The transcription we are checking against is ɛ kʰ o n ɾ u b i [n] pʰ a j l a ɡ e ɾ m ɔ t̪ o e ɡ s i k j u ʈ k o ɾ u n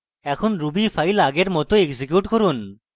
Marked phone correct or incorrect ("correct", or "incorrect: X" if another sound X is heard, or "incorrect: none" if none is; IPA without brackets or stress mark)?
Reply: incorrect: none